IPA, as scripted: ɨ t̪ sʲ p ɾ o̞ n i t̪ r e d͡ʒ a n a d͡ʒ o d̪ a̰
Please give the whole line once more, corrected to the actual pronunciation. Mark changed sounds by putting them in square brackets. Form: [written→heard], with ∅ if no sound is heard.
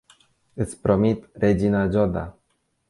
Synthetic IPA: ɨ t̪ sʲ p ɾ o̞ [n→m] i t̪ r e d͡ʒ [a→i] n a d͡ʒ o d̪ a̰